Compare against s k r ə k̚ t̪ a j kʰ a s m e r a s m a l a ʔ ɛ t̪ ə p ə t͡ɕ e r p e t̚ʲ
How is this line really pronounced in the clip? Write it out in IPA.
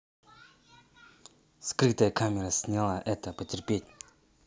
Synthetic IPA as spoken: s k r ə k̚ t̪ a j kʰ a m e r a s ɲ a l a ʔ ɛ t̪ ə p ə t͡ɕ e r p e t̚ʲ